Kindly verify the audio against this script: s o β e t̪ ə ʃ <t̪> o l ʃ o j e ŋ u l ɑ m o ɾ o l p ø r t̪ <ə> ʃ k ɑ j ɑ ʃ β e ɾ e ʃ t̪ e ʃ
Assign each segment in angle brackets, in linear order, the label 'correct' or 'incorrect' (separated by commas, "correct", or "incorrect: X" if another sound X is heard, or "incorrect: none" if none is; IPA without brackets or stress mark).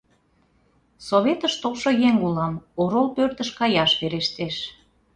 correct, correct